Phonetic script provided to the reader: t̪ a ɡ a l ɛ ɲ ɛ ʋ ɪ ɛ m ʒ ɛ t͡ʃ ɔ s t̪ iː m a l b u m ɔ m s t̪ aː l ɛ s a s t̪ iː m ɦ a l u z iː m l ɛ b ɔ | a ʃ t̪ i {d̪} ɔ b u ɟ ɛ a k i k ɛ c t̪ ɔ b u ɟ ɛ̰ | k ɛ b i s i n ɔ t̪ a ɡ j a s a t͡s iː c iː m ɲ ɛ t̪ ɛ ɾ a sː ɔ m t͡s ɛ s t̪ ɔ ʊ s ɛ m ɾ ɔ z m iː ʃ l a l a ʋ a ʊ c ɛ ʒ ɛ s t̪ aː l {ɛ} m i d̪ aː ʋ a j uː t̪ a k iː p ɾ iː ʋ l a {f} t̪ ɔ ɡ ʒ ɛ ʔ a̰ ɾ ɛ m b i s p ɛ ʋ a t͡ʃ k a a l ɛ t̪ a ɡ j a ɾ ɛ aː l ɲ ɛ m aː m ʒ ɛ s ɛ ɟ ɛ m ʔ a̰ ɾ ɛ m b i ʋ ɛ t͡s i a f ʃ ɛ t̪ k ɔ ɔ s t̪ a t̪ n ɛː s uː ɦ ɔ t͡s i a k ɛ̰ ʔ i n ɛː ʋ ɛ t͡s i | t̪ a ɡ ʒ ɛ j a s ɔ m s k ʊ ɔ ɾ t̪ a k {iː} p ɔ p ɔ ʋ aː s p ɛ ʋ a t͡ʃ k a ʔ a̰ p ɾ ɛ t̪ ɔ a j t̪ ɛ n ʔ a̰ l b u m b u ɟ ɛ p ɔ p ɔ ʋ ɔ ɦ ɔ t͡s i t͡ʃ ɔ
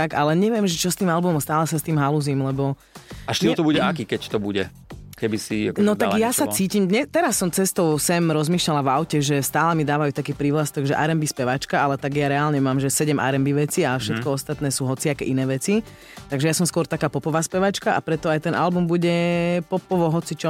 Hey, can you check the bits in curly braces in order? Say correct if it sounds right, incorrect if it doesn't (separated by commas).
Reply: incorrect, correct, incorrect, incorrect